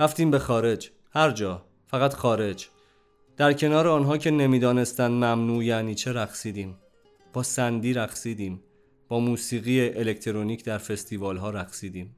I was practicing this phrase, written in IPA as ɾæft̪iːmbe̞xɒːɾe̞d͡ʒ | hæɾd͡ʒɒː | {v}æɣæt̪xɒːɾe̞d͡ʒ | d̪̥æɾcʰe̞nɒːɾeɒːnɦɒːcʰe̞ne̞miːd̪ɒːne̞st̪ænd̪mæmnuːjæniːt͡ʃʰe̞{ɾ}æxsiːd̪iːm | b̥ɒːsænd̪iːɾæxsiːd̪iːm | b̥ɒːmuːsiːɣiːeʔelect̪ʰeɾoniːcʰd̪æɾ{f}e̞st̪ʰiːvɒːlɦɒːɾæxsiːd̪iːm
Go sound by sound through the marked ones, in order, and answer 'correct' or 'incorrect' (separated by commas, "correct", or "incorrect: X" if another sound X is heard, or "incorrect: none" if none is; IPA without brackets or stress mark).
incorrect: f, correct, correct